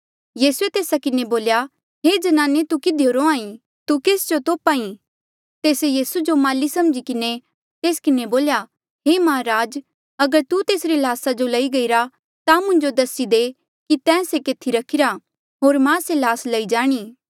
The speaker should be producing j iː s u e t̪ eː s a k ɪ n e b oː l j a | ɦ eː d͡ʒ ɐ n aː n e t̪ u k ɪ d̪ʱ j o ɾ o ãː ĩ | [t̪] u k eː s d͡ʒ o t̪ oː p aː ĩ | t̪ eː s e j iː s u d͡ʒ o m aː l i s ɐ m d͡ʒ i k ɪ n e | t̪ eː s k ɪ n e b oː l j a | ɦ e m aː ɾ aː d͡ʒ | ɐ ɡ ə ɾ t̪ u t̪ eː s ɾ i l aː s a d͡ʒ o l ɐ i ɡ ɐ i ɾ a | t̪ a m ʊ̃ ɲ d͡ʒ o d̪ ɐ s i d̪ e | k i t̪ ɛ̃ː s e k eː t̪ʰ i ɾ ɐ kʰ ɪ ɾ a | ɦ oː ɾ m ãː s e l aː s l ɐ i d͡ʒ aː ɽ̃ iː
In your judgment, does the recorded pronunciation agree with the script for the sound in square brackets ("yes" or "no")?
yes